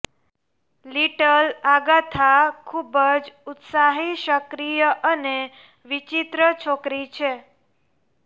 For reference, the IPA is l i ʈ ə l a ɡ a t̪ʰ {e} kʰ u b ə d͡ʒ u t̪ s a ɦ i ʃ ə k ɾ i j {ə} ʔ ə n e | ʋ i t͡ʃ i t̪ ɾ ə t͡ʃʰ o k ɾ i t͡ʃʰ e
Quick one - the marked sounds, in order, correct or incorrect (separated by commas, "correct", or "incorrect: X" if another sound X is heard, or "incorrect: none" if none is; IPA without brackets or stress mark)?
incorrect: a, correct